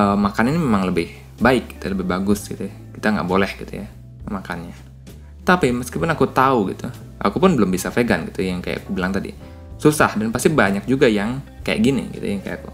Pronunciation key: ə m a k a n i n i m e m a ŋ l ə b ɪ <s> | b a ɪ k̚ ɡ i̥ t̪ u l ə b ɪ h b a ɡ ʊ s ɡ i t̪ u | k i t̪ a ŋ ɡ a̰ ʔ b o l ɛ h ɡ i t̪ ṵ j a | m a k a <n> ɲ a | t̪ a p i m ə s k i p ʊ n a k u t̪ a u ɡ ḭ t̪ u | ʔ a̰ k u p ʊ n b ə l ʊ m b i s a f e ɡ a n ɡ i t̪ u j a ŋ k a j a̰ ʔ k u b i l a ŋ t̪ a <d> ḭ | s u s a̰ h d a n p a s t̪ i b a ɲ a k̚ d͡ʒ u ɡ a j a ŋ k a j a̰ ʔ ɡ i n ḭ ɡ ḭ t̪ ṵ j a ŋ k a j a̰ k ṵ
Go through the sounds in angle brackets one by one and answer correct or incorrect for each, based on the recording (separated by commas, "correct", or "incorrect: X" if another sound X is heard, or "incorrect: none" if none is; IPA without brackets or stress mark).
incorrect: h, correct, correct